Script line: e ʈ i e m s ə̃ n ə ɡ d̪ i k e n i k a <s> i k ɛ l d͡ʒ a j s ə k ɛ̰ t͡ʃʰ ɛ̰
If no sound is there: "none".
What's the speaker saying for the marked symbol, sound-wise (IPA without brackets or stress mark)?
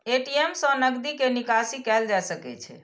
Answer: s